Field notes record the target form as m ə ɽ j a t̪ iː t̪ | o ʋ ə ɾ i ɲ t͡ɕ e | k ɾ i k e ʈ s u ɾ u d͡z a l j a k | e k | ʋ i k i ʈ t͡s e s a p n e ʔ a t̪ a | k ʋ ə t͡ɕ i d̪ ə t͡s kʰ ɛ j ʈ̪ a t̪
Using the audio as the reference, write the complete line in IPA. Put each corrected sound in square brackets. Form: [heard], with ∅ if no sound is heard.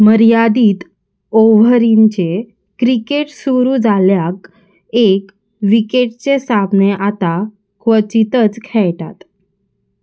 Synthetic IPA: m ə [ɾ] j a [d̪] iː t̪ | o ʋ ə ɾ i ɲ t͡ɕ e | k ɾ i k e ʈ s u ɾ u d͡z a l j a k | e k | ʋ i k [e] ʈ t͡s e s a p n e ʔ a t̪ a | k ʋ ə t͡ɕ i [t̪] ə t͡s kʰ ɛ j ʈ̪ a t̪